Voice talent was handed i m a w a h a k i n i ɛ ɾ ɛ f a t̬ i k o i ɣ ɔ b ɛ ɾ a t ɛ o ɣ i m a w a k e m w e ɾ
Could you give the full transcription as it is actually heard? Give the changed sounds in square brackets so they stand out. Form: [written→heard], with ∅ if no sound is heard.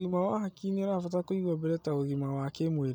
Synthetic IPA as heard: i m a w a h a k i n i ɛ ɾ [ɛ→a] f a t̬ [i→a] k o i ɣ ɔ b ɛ ɾ [a→ɛ] t [ɛ→a] o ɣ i m a w a k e m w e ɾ